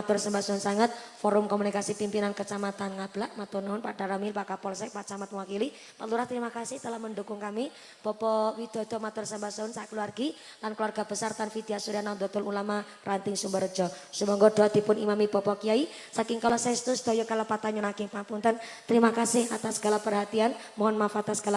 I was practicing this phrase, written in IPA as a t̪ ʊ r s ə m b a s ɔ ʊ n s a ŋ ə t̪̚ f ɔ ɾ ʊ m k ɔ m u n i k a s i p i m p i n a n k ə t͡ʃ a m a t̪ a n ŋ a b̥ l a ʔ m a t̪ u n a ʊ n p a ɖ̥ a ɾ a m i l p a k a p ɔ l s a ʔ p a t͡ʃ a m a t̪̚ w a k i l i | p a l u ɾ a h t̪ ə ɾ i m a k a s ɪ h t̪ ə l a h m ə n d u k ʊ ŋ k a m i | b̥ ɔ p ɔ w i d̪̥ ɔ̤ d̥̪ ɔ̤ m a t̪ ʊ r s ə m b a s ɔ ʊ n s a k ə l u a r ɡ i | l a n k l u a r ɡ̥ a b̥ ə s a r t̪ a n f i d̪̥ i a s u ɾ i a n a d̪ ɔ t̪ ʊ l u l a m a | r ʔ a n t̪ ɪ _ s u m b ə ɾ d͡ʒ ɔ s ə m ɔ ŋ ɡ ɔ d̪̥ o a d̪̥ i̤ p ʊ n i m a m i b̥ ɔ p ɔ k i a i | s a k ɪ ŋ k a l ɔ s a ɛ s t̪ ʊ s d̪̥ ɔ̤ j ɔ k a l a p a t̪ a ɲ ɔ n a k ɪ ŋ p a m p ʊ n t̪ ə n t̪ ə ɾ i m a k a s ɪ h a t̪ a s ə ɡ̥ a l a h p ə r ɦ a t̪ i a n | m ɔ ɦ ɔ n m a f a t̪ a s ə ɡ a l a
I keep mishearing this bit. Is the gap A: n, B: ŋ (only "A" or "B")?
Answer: B